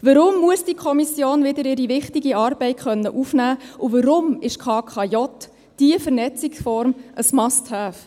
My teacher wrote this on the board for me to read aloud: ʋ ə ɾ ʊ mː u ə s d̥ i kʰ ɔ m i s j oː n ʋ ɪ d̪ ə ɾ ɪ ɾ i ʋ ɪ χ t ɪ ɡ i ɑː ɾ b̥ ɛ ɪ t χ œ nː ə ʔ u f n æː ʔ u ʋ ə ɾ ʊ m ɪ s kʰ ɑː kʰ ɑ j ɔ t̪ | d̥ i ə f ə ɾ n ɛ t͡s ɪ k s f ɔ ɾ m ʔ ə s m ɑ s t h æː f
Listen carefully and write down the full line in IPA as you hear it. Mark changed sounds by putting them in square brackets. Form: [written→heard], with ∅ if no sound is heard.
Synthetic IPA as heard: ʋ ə ɾ ʊ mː u ə s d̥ i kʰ ɔ m i s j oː n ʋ ɪ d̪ ə ɾ ɪ ɾ i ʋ ɪ χ t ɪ ɡ i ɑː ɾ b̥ ɛ ɪ t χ œ nː ə ʔ u f n æː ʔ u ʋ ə ɾ ʊ m ɪ [s→ʃ] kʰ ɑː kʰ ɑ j ɔ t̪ | d̥ i ə f ə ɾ n ɛ t͡s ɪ k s f ɔ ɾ m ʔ ə s m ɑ s t h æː f